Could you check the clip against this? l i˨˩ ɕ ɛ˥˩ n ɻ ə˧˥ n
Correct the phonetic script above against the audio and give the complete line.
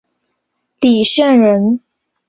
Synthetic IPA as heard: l i˨˩ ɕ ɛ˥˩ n ɻ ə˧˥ n